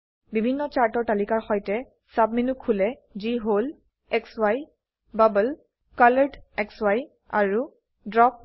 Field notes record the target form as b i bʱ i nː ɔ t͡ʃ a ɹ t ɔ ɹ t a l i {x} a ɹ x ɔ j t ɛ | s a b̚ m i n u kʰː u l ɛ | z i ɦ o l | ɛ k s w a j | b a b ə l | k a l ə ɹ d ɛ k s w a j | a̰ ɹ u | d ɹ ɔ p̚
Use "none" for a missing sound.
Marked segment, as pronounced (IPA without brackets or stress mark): k